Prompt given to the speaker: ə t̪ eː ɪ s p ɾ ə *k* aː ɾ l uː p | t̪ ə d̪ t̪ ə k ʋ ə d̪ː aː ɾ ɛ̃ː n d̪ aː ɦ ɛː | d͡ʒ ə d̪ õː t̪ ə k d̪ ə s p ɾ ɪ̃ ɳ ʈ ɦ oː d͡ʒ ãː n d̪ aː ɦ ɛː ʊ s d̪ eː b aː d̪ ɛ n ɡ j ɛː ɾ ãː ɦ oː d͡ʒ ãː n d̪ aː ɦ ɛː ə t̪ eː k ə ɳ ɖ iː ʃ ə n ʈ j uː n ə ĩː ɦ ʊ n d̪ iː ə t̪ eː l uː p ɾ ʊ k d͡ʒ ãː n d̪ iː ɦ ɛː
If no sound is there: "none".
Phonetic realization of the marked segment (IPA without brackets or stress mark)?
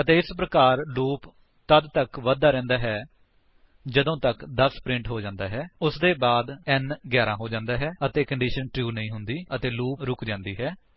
k